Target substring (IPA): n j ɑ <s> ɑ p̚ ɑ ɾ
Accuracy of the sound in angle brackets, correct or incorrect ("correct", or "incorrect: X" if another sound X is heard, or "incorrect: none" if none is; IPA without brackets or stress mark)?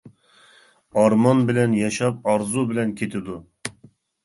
incorrect: ʃ